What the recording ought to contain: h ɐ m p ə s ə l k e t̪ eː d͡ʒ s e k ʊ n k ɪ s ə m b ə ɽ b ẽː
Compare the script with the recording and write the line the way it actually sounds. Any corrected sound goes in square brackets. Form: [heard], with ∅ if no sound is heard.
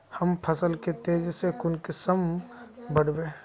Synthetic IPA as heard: h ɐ m [pʰ] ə s ə l k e t̪ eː d͡ʒ s e k ʊ n k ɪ s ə m b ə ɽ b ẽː